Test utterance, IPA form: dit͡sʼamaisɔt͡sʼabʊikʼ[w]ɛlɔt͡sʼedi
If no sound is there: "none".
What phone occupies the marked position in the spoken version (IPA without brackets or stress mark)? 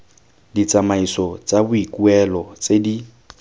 u